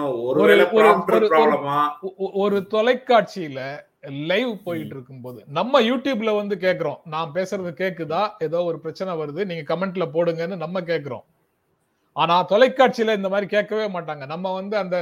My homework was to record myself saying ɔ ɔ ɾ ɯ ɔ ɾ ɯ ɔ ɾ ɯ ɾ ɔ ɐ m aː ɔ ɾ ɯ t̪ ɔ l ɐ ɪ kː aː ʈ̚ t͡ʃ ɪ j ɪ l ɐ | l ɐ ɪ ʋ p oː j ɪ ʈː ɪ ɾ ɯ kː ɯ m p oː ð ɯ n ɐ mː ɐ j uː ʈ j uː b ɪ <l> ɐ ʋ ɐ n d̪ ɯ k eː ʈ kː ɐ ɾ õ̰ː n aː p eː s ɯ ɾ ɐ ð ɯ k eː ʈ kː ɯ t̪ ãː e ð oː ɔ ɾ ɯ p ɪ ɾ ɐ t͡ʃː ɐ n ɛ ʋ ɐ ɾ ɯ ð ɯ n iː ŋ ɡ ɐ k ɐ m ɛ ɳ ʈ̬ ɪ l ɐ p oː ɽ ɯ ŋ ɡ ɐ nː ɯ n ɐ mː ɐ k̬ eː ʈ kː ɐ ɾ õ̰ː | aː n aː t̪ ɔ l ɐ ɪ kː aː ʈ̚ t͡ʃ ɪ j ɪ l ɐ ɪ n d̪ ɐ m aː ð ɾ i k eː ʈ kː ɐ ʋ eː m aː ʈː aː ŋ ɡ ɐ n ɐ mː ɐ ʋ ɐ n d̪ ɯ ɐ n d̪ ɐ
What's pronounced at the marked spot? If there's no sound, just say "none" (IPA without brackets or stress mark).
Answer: l